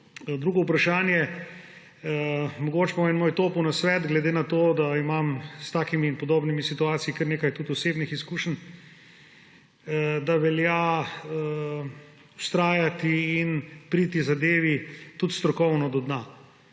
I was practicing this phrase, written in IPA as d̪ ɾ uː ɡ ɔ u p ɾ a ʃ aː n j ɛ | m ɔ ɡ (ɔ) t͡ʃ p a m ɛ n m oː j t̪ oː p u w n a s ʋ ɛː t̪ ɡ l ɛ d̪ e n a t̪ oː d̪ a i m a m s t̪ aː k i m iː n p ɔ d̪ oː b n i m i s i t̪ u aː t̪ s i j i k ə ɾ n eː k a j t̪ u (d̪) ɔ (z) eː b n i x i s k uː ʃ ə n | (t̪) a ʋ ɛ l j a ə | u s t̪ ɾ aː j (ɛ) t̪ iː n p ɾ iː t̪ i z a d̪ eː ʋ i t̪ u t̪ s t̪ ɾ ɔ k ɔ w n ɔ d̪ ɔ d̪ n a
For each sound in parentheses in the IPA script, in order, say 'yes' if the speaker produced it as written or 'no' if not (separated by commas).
no, no, no, no, no